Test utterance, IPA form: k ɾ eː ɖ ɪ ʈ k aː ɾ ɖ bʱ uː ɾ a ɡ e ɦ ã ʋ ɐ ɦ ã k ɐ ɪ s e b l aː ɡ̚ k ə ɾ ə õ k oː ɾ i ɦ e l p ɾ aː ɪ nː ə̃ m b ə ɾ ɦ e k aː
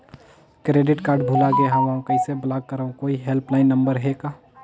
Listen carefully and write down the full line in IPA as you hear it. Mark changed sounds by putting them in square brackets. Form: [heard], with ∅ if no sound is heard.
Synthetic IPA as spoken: k ɾ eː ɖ ɪ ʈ k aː ɾ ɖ bʱ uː [l] a ɡ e ɦ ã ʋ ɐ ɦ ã k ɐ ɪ s e b l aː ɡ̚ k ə ɾ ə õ k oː [∅] i ɦ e l p [l] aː ɪ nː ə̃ m b ə ɾ ɦ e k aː